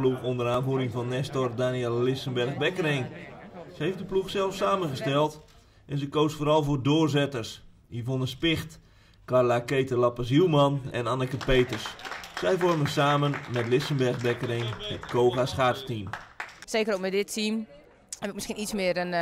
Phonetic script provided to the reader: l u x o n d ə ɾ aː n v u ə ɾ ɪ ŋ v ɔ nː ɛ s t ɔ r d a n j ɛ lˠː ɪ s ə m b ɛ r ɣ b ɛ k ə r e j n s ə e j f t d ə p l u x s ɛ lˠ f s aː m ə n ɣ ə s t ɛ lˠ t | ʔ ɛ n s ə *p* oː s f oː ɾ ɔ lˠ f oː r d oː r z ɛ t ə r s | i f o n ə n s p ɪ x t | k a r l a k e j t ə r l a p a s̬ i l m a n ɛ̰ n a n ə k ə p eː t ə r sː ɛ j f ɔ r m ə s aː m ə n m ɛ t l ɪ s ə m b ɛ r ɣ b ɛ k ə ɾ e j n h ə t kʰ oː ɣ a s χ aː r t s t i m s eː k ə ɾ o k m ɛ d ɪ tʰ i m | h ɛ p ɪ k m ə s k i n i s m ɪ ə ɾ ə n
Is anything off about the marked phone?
yes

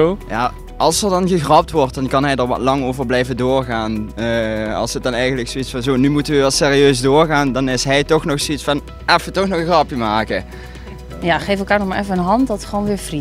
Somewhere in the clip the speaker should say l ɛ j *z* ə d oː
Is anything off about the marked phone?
yes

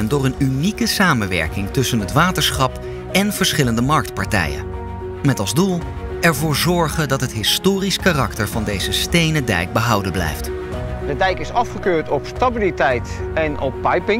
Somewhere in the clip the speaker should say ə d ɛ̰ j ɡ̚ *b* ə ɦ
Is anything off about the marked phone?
no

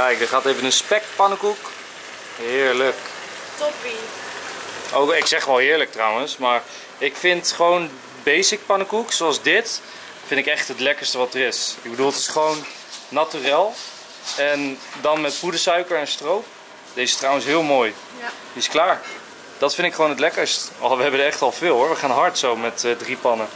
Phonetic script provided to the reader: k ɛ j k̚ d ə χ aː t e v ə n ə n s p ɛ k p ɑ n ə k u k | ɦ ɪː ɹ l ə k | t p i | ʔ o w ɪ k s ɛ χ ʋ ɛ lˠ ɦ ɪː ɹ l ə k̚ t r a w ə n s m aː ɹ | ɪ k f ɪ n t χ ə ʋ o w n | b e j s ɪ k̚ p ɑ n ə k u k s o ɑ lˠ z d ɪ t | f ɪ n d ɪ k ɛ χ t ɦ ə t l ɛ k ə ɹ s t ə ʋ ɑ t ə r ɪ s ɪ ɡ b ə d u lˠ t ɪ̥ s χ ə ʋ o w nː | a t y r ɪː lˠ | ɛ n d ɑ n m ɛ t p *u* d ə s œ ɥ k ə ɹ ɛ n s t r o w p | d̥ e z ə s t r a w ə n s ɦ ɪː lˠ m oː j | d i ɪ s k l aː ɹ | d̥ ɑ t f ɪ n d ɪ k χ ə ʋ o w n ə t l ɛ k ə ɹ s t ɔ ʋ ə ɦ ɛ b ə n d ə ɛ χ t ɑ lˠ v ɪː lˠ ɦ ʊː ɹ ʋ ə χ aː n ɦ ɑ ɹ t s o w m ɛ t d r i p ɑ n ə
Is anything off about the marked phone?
no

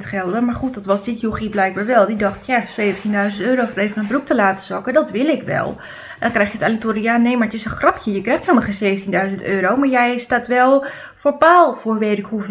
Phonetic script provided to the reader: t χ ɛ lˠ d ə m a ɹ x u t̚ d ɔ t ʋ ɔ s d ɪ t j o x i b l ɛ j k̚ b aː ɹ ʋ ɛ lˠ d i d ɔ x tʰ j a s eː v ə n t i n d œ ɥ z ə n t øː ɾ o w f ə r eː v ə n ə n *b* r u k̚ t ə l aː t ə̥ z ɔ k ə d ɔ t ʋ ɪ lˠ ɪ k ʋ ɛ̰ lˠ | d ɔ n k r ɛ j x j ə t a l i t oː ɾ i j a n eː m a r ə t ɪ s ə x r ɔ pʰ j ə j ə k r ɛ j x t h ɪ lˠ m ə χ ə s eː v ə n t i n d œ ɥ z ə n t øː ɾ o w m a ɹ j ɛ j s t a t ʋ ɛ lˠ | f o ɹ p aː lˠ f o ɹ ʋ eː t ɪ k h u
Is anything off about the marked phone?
no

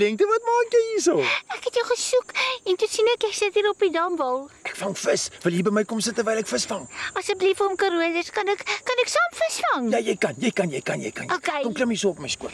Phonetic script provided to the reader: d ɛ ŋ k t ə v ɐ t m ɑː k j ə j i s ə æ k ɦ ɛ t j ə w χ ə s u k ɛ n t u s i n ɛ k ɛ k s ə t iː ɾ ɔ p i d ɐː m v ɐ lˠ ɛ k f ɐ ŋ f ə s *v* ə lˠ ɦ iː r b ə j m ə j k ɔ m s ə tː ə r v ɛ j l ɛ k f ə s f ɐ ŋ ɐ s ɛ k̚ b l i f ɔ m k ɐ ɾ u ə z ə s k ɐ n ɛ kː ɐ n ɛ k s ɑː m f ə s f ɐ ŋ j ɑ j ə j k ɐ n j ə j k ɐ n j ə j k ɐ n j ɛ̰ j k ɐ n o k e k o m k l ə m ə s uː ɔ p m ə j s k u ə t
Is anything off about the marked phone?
no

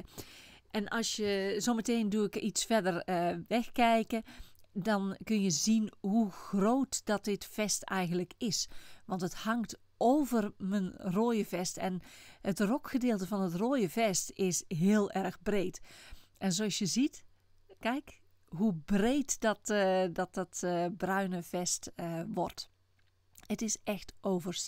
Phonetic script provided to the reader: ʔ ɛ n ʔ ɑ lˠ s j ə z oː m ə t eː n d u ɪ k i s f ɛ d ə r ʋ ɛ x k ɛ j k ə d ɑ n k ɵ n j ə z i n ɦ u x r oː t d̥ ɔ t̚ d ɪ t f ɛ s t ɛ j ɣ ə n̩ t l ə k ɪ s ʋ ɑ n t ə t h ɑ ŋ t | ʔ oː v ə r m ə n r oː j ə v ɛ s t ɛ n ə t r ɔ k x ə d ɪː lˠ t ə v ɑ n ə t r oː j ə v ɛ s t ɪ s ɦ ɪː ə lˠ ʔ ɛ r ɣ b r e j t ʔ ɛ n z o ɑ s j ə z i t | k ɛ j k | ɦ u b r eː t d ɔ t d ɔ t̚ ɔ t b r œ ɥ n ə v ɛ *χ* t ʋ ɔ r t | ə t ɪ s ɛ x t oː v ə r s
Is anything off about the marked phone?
yes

